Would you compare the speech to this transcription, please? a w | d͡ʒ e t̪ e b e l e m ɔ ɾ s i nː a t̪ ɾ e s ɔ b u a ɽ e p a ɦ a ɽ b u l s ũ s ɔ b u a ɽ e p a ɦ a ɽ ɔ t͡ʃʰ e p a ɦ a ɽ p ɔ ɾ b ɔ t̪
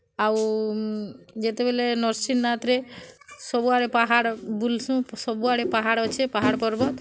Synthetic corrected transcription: a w | d͡ʒ e t̪ e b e l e n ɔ ɾ s i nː a t̪ ɾ e s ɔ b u a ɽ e p a ɦ a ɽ b u l s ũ s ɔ b u a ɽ e p a ɦ a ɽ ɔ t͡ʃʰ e p a ɦ a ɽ p ɔ ɾ b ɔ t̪

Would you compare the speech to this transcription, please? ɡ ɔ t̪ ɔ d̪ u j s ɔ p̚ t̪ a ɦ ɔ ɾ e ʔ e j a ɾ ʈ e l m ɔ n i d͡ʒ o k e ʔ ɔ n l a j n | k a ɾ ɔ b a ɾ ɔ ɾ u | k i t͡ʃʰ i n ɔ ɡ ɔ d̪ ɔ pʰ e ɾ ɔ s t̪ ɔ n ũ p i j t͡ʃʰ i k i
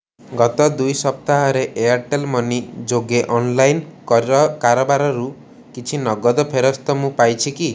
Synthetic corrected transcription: ɡ ɔ t̪ ɔ d̪ u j s ɔ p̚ t̪ a ɦ ɔ ɾ e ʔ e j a ɾ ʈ e l m ɔ n i d͡ʒ o ɡ e ʔ ɔ n l a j n | k a ɾ ɔ b a ɾ ɔ ɾ u | k i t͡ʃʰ i n ɔ ɡ ɔ d̪ ɔ pʰ e ɾ ɔ s t̪ ɔ m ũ p a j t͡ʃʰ i k i

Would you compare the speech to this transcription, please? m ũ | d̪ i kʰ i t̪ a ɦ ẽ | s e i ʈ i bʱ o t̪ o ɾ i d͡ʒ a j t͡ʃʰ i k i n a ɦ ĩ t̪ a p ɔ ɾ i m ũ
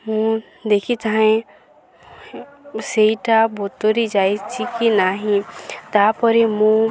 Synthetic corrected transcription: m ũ | d̪ e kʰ i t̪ a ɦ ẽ | s e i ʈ a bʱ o t̪ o ɾ i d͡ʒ a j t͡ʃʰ i k i n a ɦ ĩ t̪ a p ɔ ɾ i m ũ

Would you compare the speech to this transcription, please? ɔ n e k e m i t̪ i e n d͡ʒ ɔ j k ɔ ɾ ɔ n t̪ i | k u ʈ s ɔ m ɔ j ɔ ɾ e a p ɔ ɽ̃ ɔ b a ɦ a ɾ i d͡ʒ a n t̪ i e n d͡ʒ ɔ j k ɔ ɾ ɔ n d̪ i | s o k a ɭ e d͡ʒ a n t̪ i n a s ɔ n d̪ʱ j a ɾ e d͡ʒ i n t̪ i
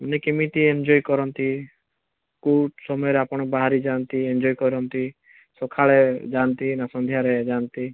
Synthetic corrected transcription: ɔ n e k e m i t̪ i e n d͡ʒ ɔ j k ɔ ɾ ɔ n t̪ i | k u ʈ s ɔ m ɔ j ɔ ɾ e a p ɔ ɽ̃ ɔ b a ɦ a ɾ i d͡ʒ a n t̪ i e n d͡ʒ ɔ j k ɔ ɾ ɔ n t̪ i | s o kʰ a ɭ e d͡ʒ a n t̪ i n a s ɔ n d̪ʱ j a ɾ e d͡ʒ a n t̪ i

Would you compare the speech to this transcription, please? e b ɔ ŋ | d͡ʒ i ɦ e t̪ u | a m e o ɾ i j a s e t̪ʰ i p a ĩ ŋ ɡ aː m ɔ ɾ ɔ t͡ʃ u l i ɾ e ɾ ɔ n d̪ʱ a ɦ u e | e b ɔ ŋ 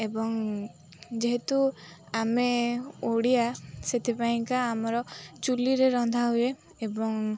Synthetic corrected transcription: e b ɔ ŋ | d͡ʒ e ɦ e t̪ u | a m e o ɽ i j a s e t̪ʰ i p a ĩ ŋ k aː m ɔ ɾ ɔ t͡ʃ u l i ɾ e ɾ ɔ n d̪ʱ a ɦ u e | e b ɔ ŋ

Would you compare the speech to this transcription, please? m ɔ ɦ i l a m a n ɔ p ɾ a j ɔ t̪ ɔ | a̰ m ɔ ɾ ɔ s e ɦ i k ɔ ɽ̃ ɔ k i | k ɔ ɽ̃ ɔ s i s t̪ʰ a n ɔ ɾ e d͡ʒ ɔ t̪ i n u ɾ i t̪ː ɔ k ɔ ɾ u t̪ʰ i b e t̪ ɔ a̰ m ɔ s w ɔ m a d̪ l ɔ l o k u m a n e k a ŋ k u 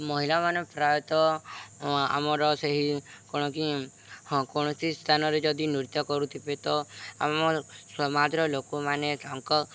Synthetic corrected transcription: m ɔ ɦ i l a m a n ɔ p ɾ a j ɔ t̪ ɔ | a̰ m ɔ ɾ ɔ s e ɦ i k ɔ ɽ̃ ɔ k i | k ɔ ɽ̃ ɔ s i s t̪ʰ a n ɔ ɾ e d͡ʒ ɔ d̪ i n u ɾ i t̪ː ɔ k ɔ ɾ u t̪ʰ i b e t̪ ɔ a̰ m ɔ s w ɔ m a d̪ ɾ ɔ l o k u m a n e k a ŋ k ɔ

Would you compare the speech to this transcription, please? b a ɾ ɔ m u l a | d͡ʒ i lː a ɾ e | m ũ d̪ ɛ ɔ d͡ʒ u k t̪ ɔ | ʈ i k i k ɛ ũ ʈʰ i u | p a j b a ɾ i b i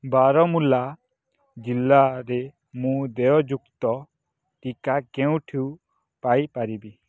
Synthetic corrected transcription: b a ɾ ɔ m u l a | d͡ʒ i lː a ɾ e | m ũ d̪ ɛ ɔ d͡ʒ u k t̪ ɔ | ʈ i k a k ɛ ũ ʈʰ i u | p a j p a ɾ i b i

